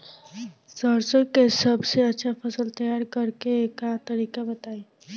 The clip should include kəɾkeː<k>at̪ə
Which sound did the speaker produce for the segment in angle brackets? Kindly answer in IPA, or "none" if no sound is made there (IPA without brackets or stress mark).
k